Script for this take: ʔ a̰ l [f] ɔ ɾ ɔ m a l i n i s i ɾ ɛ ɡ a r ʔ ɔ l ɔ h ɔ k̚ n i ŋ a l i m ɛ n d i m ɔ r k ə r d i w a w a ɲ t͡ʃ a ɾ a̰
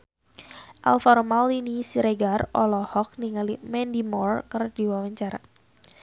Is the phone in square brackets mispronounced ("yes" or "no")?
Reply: no